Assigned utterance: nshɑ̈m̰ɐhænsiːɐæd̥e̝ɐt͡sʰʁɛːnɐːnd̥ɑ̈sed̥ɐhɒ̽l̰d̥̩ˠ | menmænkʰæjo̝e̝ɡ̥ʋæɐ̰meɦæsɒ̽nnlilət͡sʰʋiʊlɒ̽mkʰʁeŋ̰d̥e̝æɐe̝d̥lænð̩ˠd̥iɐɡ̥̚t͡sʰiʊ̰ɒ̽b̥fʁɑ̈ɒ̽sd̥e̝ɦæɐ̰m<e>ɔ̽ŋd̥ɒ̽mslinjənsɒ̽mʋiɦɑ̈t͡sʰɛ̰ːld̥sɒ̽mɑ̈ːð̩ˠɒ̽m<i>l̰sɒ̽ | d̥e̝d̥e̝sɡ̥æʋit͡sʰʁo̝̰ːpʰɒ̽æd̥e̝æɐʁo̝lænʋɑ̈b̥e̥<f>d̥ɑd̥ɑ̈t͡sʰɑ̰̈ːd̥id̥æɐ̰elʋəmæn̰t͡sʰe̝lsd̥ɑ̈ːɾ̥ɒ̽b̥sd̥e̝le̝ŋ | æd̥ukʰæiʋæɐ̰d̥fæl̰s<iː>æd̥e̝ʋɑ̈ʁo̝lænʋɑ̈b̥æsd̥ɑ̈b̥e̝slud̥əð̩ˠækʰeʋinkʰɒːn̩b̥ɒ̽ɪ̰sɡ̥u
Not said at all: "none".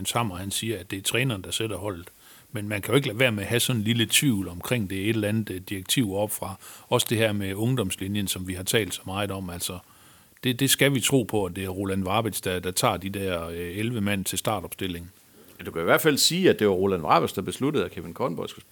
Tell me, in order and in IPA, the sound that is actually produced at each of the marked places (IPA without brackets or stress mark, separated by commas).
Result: e, æ, s, iː